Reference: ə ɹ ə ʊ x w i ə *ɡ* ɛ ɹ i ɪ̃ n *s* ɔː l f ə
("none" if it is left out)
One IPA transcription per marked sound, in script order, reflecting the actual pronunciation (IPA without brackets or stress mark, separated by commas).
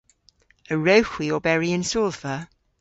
b, s